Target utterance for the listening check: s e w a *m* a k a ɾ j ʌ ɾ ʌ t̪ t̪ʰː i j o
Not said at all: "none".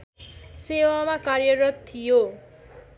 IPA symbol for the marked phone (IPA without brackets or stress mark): m